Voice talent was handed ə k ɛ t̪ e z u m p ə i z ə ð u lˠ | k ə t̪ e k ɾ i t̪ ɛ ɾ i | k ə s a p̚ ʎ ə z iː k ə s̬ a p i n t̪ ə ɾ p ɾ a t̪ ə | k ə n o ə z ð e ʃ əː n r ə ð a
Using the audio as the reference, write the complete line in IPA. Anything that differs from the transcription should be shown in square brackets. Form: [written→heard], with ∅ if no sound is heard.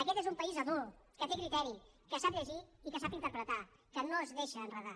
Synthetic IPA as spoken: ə k ɛ t̪ e z u m p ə i z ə ð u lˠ | k ə t̪ e k ɾ i t̪ ɛ ɾ i | k ə s a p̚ ʎ ə [z→ʒ] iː k ə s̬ a p i n t̪ ə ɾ p ɾ [a→ə] t̪ [ə→a] | k ə n o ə z ð e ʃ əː n r ə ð a